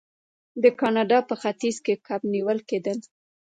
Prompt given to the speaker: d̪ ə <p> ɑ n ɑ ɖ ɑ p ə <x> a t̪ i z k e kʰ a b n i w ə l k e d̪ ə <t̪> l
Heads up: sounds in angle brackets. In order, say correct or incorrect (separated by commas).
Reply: incorrect, correct, incorrect